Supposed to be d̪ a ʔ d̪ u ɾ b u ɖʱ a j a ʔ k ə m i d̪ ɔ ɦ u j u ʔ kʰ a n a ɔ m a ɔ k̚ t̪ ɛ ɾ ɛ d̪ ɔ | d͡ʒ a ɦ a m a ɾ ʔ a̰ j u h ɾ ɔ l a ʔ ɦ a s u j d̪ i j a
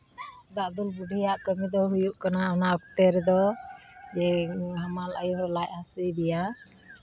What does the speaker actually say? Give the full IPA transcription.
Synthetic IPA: d̪ a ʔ d̪ u l b u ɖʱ i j a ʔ k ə m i d̪ ɔ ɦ u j u ʔ k a n a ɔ n a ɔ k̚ t̪ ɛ ɾ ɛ d̪ ɔ | d͡ʒ ɛ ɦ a m a l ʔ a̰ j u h ɾ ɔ l a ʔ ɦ a s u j d̪ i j a